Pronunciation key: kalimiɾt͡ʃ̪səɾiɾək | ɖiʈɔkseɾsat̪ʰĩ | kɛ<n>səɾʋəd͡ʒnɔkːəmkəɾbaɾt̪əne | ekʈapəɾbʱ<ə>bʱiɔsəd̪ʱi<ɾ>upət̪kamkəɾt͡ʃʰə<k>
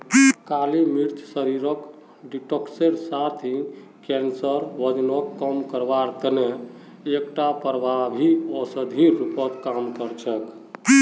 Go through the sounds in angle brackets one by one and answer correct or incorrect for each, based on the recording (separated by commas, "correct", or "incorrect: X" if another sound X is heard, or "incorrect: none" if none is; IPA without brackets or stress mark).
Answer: correct, incorrect: a, correct, correct